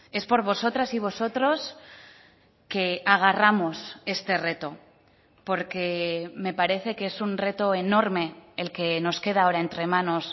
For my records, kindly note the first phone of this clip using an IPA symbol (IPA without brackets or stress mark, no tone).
e̞